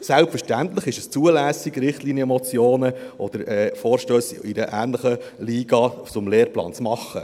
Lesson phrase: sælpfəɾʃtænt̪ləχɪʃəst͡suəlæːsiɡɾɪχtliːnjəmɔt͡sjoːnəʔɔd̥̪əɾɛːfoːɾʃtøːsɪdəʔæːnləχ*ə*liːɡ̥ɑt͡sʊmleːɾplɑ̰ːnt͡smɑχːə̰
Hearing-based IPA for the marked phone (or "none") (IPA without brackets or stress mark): ə